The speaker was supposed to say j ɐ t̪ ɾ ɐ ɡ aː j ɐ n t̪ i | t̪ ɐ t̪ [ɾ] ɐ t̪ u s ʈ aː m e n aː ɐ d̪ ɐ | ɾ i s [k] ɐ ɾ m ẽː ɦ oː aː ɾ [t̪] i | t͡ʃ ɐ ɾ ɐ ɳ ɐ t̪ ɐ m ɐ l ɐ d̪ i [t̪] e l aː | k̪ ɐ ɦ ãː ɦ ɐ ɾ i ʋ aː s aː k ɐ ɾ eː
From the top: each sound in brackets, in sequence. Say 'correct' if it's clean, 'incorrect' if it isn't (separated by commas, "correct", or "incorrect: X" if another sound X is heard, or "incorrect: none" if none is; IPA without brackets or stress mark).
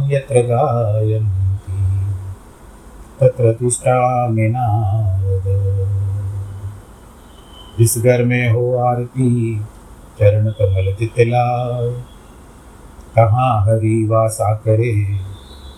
correct, incorrect: ɡ, correct, correct